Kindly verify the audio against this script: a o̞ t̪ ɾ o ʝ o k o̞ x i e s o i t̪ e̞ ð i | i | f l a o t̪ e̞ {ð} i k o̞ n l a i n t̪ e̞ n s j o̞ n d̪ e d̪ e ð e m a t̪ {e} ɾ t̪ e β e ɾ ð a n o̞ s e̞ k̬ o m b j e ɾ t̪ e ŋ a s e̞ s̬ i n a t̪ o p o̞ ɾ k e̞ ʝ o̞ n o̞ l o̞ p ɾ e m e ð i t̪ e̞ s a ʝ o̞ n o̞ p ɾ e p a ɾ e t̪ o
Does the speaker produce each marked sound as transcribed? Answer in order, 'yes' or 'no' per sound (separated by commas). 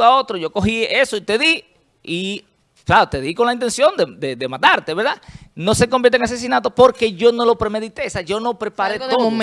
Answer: yes, no